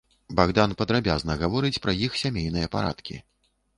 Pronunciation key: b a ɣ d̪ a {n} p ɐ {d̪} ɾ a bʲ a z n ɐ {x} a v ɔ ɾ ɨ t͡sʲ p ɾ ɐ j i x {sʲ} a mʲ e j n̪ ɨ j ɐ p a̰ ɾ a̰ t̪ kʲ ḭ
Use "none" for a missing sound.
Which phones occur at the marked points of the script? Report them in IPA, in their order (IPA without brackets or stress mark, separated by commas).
n, d̪, ɣ, sʲ